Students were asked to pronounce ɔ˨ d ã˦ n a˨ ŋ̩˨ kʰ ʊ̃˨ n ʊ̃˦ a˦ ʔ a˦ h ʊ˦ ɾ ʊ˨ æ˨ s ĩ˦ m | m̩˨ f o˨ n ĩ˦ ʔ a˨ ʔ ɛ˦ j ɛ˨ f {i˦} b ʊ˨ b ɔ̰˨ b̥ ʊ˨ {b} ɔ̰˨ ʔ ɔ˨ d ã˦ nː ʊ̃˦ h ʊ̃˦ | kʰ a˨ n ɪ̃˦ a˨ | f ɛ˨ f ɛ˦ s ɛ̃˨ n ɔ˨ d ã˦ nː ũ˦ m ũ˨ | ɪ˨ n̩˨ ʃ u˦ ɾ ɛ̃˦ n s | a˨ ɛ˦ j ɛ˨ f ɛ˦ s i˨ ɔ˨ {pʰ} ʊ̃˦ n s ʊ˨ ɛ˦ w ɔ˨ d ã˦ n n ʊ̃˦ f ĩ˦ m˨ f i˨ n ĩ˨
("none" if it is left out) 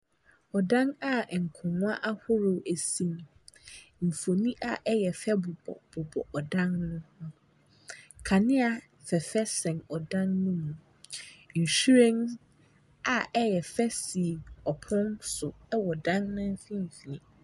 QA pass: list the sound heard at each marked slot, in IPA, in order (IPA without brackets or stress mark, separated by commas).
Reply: ɛ˦, b, pʰ